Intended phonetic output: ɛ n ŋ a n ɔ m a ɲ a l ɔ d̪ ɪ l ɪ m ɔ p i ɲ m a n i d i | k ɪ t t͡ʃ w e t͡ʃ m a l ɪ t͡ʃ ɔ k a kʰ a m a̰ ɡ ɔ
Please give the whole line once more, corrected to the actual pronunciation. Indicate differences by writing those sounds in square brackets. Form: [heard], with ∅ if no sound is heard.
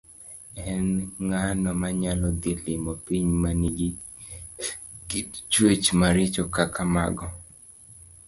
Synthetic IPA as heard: ɛ n ŋ a n ɔ m a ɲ a l ɔ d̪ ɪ l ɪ m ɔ p i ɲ m a n i [ɡ] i | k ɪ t t͡ʃ w e t͡ʃ m a [ɾ] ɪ t͡ʃ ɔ k a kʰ a m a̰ ɡ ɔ